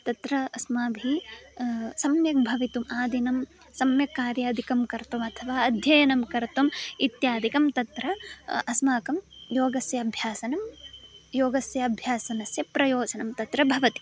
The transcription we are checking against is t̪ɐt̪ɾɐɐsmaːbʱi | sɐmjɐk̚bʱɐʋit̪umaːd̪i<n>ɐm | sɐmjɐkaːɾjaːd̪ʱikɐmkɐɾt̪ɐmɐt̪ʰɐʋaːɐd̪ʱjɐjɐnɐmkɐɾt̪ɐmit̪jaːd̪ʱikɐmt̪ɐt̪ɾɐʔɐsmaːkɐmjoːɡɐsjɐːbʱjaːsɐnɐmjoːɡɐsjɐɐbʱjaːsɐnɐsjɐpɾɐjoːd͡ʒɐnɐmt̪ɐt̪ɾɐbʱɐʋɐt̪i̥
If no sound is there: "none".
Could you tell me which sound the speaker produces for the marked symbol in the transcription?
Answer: n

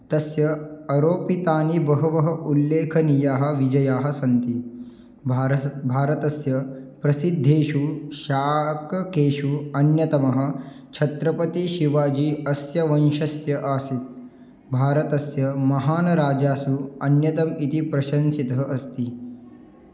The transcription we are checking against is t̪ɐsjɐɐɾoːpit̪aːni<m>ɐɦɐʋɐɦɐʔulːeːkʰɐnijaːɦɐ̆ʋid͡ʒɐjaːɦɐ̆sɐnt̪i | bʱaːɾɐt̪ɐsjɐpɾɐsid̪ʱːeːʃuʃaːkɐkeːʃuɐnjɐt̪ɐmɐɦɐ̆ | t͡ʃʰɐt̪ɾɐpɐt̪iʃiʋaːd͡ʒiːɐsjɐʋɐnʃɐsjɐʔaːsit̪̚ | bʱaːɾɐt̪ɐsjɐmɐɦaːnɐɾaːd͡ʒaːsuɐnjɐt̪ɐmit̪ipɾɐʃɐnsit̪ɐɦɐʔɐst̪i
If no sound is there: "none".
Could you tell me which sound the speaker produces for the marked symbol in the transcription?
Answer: b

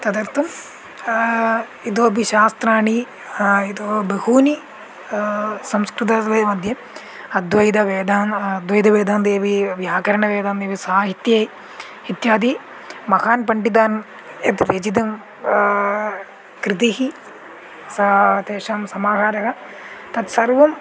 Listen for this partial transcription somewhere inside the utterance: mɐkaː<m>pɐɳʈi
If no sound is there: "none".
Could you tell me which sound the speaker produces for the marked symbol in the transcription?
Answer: n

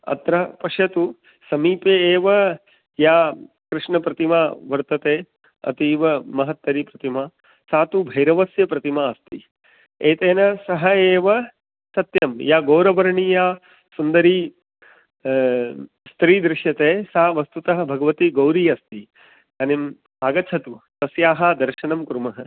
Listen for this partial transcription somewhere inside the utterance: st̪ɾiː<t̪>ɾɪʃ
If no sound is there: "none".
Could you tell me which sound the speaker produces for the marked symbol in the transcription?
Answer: d̪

